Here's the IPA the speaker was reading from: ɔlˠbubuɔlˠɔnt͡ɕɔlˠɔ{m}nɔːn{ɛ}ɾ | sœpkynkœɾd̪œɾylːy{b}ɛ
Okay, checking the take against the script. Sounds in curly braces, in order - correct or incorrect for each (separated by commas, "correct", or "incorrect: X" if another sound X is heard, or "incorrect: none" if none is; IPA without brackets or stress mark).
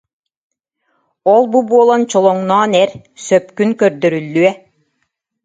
incorrect: ŋ, correct, incorrect: none